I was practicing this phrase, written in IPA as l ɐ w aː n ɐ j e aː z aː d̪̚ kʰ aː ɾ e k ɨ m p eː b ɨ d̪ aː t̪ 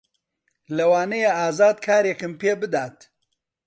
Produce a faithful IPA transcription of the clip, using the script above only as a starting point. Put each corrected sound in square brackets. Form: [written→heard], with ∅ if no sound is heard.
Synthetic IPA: l ɐ w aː n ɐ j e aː z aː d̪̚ kʰ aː ɾ e k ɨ m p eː b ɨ d̪ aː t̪